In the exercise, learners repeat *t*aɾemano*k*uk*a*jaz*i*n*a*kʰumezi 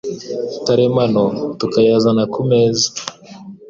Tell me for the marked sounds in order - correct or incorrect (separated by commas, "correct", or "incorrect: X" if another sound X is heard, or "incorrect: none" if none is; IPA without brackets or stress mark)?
correct, incorrect: t, correct, incorrect: a, correct